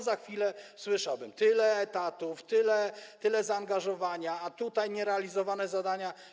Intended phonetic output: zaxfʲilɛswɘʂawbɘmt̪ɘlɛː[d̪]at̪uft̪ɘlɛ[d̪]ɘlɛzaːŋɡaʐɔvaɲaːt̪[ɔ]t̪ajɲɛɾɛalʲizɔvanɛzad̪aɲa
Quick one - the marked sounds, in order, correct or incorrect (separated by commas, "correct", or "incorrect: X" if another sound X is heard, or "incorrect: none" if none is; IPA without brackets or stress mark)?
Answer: incorrect: t̪, incorrect: t̪, incorrect: u